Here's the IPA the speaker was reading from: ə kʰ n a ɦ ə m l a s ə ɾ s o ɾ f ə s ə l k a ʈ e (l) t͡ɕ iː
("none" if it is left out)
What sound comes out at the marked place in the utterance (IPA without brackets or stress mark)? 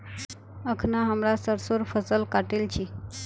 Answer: l